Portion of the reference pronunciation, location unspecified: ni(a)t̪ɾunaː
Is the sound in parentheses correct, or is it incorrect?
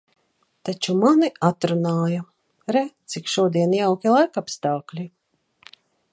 correct